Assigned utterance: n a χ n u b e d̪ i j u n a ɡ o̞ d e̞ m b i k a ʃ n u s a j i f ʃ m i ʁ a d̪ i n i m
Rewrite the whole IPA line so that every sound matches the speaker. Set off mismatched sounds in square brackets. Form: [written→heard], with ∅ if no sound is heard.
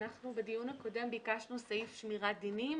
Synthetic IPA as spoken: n a χ n u b e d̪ i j u n a [ɡ→k] o̞ d e̞ m b i k a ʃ n u s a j i f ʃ m i ʁ a d̪ i n i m